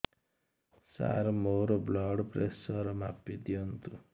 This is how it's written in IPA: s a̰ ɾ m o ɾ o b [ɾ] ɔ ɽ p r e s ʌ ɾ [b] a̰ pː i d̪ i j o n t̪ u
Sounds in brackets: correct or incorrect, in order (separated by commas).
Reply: incorrect, incorrect